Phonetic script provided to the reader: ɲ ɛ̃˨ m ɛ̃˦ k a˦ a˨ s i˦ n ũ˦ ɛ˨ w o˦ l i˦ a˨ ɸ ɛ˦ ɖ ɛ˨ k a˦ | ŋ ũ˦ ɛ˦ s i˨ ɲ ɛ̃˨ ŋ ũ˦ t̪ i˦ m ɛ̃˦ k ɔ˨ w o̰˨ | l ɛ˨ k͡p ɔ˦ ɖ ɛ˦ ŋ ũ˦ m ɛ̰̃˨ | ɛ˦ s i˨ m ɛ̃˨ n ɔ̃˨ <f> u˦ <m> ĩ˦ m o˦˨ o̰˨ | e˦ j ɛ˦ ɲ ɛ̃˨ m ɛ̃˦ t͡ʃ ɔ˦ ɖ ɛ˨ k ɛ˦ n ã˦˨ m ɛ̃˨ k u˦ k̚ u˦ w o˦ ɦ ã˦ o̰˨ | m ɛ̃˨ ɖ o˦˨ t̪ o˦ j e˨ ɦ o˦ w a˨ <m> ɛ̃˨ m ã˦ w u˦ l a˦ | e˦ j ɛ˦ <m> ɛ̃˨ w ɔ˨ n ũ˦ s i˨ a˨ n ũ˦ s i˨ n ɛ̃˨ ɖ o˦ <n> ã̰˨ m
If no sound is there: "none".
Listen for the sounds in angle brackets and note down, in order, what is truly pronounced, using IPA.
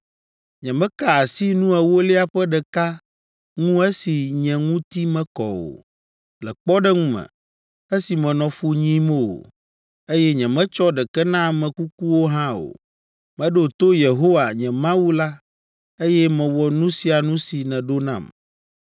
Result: f, ɲ, ɲ, m, n

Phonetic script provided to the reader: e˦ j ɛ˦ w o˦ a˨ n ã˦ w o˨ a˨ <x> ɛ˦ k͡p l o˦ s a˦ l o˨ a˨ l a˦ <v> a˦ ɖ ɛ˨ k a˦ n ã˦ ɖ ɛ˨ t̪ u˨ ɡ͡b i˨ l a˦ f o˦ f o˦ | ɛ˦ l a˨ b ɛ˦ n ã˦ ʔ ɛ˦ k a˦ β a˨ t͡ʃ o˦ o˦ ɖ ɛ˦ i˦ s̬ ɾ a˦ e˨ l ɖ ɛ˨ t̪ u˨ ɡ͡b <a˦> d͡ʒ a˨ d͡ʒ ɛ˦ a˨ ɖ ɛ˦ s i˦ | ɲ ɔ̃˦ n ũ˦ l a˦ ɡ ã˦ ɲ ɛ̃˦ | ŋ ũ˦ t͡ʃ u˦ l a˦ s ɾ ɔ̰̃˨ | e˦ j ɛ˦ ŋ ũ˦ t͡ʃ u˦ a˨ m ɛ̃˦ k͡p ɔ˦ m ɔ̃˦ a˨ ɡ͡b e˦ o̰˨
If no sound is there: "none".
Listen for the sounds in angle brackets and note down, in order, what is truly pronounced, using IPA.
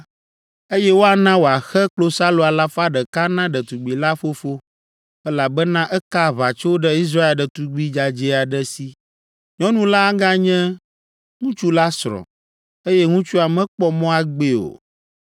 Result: x, f, i˦

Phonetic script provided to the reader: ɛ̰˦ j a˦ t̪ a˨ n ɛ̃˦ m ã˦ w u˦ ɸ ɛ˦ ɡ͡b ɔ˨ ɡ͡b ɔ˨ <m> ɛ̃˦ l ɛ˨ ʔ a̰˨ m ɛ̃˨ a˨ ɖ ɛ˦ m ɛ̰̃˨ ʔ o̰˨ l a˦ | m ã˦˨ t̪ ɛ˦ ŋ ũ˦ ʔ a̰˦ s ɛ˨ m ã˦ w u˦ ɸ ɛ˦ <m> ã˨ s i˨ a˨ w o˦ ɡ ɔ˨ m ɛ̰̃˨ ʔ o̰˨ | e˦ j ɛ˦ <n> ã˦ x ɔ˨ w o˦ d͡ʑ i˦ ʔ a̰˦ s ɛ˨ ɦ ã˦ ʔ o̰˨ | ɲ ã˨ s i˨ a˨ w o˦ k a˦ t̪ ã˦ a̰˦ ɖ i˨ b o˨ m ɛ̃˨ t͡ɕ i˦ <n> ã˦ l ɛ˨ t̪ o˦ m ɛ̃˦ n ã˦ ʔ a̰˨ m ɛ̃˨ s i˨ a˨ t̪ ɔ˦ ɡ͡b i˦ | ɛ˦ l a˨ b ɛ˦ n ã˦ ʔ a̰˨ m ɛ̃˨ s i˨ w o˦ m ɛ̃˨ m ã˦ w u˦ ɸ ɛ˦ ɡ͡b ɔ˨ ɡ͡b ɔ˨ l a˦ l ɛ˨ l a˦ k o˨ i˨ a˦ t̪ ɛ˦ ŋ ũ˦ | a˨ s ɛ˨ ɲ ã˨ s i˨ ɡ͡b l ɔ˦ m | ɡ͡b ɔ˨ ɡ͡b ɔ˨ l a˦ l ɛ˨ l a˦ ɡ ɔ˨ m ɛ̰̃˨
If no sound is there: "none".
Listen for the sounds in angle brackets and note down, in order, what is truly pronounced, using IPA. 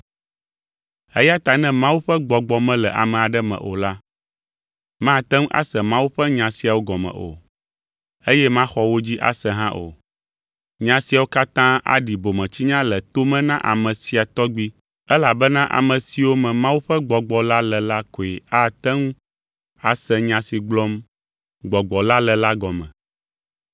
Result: m, ɲ, m, ɲ

